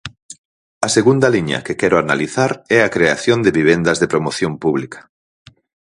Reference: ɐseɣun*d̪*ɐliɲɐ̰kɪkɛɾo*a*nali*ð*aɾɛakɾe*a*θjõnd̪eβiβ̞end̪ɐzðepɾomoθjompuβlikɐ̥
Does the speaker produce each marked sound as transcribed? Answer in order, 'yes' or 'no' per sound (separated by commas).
yes, yes, no, yes